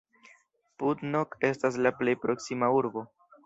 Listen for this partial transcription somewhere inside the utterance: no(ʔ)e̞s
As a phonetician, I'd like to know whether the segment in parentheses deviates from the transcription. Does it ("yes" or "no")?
yes